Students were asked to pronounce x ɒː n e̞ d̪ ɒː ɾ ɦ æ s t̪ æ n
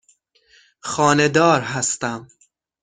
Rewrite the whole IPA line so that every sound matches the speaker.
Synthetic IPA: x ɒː n e̞ d̪ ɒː ɾ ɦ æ s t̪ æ m